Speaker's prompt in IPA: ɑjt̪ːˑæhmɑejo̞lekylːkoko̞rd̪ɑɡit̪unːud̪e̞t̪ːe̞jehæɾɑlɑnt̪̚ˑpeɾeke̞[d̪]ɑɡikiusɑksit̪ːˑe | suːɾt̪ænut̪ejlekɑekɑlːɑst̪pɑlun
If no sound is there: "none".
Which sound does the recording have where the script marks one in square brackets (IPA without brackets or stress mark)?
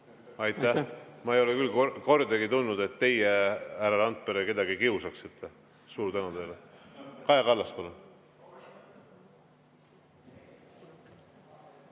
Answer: d̪